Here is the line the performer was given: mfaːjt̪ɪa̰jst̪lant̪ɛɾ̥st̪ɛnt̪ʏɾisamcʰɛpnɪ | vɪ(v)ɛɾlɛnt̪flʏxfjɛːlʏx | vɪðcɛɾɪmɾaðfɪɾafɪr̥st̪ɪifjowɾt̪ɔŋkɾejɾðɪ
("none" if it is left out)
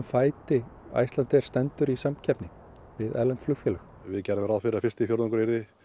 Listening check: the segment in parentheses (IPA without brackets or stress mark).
ð